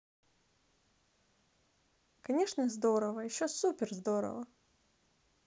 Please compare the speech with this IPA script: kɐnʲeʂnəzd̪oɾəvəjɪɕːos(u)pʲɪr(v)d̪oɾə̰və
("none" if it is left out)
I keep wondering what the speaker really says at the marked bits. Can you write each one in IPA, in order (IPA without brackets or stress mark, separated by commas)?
u, z